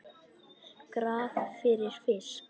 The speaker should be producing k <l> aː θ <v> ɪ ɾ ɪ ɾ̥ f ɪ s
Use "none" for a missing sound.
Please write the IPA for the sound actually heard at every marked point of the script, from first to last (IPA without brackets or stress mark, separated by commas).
ɾ, f